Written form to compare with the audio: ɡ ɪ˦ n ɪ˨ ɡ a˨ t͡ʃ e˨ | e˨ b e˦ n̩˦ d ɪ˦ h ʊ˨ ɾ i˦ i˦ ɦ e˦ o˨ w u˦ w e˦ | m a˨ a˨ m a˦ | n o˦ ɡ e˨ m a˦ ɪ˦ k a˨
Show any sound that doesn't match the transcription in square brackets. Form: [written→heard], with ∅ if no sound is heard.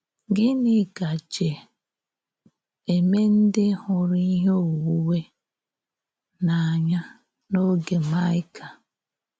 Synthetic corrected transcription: ɡ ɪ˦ n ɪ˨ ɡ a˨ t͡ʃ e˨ | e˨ [b→m] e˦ n̩˦ d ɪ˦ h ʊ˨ ɾ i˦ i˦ ɦ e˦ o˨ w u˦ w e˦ | [m→n] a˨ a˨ [m→ɲ] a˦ | n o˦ ɡ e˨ m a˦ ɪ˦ k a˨

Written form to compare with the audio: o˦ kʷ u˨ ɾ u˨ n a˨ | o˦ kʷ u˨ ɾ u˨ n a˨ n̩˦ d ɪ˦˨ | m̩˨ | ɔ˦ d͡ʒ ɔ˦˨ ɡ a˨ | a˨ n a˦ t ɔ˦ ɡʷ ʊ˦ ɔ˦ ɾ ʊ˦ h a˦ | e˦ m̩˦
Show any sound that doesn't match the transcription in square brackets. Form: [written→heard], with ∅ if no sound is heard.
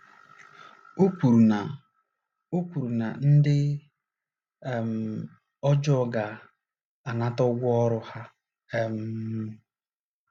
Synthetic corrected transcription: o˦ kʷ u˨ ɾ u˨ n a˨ | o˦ kʷ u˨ ɾ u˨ n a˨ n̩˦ d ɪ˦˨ | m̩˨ | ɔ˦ d͡ʒ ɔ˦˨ ɡ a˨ | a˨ n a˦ t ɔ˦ ɡʷ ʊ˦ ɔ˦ ɾ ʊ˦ h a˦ | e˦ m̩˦

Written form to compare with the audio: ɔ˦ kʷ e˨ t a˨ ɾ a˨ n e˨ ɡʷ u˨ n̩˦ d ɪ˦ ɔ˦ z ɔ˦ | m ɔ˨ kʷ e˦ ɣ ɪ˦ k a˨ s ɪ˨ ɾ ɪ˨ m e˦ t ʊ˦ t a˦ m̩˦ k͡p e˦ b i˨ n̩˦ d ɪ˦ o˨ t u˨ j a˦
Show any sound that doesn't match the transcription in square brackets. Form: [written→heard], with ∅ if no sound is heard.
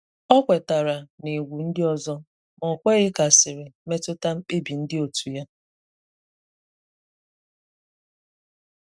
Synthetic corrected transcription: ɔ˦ kʷ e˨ t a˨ ɾ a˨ n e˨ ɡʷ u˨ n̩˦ d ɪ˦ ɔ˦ z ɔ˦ | m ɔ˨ kʷ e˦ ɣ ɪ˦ k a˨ s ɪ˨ ɾ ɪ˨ m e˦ t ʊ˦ t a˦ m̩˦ k͡p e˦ b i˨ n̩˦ d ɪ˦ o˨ t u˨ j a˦

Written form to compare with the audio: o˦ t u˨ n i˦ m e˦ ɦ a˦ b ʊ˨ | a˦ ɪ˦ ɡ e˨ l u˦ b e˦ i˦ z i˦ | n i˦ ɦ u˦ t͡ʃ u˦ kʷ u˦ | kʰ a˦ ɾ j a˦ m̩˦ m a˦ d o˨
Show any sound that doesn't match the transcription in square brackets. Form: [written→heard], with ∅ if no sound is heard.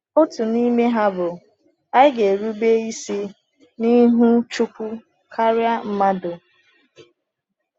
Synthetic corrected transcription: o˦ t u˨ n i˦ m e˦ ɦ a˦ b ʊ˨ | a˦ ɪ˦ ɡ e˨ [l→ɾ] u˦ b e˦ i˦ [z→s] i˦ | n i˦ ɦ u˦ t͡ʃ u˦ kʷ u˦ | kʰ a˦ ɾ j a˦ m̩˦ m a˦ d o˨

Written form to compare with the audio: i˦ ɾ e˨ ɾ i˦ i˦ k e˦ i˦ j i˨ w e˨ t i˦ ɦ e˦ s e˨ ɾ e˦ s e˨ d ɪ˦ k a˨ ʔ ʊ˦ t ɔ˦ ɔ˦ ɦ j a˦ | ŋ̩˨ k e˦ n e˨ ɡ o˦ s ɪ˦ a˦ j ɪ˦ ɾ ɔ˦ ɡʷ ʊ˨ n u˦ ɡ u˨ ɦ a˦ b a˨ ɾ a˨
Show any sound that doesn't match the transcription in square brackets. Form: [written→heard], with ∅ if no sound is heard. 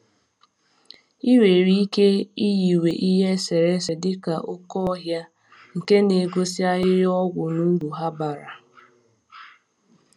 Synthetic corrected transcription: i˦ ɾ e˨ ɾ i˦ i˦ k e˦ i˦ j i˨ w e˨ [t→ʔ] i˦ ɦ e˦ s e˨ ɾ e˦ s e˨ d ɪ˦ k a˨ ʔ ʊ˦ [t→k] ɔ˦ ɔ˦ ɦ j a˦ | ŋ̩˨ k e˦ n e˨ ɡ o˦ s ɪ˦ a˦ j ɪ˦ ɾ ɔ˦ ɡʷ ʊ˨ n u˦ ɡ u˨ ɦ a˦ b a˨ ɾ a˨

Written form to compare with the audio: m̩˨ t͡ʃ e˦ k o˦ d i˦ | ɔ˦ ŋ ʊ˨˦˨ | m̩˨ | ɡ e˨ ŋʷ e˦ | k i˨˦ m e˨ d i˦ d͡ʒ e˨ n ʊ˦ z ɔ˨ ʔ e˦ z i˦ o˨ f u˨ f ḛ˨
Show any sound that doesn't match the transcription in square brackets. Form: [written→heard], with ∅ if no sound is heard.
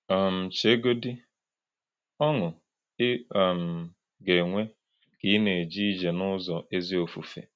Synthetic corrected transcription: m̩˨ t͡ʃ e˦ [k→ɡ] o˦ d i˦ | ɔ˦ ŋ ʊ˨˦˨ | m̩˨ | ɡ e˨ ŋʷ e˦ | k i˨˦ [m→n] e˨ [d→d͡ʒ] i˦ d͡ʒ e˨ n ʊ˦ z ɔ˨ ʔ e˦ z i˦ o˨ f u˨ f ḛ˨

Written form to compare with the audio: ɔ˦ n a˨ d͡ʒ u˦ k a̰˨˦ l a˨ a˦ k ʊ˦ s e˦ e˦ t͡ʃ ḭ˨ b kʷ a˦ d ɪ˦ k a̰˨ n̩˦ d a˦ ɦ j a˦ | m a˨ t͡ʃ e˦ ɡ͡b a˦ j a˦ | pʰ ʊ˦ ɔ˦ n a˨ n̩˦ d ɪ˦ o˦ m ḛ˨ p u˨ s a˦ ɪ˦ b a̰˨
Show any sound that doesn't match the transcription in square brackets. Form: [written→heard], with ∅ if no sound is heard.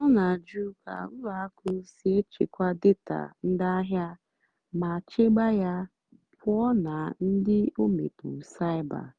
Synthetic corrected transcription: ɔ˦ n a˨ d͡ʒ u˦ k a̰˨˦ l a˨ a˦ k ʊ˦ s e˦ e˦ t͡ʃ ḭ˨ [b→∅] kʷ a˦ d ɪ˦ [k→t] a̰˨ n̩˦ d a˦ ɦ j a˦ | m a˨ t͡ʃ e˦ ɡ͡b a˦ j a˦ | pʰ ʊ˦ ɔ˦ n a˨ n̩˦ d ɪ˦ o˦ m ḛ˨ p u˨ s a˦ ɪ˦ b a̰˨

